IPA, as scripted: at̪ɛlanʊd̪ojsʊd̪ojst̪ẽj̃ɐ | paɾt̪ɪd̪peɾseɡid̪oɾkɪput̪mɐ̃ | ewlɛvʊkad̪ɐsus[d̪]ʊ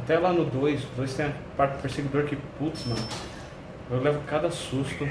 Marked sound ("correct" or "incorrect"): incorrect